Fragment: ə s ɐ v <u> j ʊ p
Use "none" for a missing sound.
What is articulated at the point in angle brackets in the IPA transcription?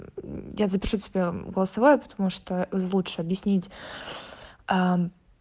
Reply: o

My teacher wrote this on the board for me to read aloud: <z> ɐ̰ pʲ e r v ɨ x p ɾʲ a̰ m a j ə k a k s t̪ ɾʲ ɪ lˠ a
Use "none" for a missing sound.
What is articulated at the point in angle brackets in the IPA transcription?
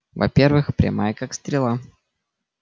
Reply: v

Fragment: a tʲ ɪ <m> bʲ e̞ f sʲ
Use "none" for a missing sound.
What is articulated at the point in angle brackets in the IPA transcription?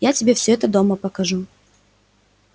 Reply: none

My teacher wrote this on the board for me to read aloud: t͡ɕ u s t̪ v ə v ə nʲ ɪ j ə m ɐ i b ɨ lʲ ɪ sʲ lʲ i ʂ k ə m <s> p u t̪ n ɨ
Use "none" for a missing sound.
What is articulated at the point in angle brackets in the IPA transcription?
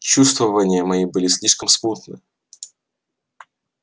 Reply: s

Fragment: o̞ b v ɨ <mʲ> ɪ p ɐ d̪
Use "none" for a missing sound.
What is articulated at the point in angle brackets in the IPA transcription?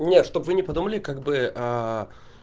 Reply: nʲ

